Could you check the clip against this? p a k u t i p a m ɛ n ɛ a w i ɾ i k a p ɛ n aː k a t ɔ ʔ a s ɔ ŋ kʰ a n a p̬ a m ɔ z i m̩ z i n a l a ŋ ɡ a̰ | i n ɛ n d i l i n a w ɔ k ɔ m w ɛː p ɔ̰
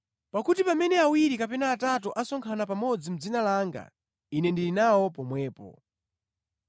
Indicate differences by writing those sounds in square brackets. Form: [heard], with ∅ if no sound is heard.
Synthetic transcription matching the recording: p a k u t i p a m ɛ n ɛ a w i ɾ i k a p ɛ n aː [t] a t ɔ ʔ a s ɔ ŋ kʰ a n a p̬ a m ɔ [d͡z] i m̩ [d͡z] i n a l a ŋ ɡ a̰ | i n ɛ n d i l i n a w ɔ [p] ɔ m w ɛː p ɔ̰